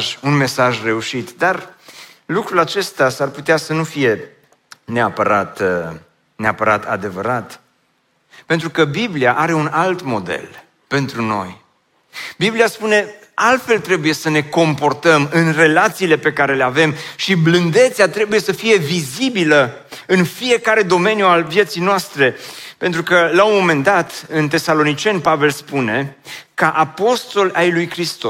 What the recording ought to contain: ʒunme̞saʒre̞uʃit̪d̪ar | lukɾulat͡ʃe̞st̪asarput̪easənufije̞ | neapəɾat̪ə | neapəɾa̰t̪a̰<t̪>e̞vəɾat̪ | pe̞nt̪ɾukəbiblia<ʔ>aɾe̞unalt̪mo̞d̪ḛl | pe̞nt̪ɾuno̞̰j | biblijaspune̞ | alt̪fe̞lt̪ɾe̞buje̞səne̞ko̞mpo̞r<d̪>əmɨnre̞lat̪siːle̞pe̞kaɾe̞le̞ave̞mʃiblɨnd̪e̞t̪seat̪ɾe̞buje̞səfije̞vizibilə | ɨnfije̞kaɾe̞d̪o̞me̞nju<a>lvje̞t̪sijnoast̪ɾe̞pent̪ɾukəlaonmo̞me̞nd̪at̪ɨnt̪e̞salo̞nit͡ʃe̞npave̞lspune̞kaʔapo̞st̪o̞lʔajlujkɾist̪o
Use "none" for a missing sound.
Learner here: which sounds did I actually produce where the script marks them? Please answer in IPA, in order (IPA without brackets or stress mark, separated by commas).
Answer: d̪, ʔ, t̪, a